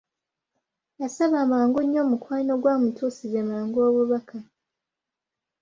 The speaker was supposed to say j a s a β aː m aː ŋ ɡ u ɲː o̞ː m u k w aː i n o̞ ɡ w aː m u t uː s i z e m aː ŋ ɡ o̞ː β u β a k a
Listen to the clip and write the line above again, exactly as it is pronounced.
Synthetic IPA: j a s a β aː m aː ŋ ɡ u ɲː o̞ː m u k w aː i n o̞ ɡ w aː m u t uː s i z e m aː ŋ ɡ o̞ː β u β a k a

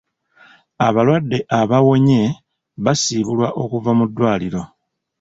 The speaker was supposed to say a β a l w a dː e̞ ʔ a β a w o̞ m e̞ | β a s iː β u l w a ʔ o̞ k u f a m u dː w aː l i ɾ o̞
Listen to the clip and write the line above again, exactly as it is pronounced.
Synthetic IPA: a β a l w a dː e̞ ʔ a β a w o̞ ɲ e̞ | β a s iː β u l w a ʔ o̞ k u v a m u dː w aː l i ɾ o̞

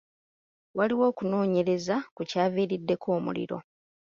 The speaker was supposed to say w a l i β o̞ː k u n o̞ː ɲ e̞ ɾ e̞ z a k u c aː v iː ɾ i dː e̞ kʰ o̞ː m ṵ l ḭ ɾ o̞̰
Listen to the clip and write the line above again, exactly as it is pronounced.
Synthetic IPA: w a l i w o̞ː k u n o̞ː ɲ e̞ ɾ e̞ z a k u c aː v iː ɾ i dː e̞ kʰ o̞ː m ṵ l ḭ ɾ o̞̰

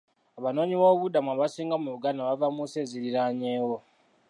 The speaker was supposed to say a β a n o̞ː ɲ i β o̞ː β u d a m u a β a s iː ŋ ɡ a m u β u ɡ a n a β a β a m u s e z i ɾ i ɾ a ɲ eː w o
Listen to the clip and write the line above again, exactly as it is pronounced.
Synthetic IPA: a β a n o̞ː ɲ i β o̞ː β u d a m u a β a s iː ŋ ɡ a m u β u ɡ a n a β a v a m u s e z i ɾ i ɾ a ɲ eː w o

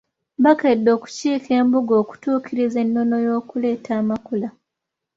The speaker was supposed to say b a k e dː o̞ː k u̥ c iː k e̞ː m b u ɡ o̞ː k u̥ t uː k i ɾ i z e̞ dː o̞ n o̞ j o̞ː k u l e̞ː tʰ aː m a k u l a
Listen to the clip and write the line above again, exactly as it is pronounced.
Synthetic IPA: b a k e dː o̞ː k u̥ c iː k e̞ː m b u ɡ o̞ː k u̥ t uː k i ɾ i z e̞ nː o̞ n o̞ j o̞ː k u l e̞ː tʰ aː m a k u l a

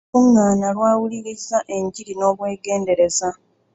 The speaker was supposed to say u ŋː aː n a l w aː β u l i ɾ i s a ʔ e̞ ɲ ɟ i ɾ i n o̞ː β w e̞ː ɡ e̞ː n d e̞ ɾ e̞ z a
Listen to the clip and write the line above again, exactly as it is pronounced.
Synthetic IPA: u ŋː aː n a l w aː w u l i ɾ i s a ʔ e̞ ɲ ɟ i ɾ i n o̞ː β w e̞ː ɡ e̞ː n d e̞ ɾ e̞ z a

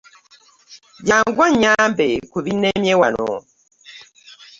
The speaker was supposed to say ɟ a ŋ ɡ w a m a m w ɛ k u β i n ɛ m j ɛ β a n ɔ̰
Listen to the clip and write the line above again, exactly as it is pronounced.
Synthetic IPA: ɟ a ŋ ɡ w a ɲ a m b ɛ k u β i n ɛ m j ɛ w a n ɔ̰

